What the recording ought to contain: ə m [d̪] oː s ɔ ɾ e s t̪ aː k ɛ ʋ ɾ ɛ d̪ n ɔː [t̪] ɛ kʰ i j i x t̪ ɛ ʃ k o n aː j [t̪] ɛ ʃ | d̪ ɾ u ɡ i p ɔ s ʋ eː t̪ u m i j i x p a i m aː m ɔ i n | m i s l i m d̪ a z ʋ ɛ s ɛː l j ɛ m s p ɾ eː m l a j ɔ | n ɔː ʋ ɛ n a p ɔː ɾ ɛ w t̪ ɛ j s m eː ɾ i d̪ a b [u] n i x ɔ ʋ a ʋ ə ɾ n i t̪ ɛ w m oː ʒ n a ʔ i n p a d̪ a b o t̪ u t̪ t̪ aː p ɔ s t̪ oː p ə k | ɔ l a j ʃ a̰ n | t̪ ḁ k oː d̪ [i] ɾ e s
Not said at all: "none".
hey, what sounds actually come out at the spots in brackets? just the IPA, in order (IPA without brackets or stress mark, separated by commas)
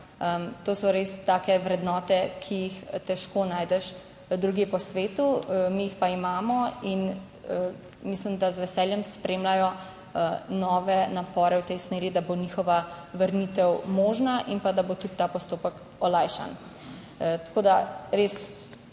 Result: t̪, t̪, d̪, o, a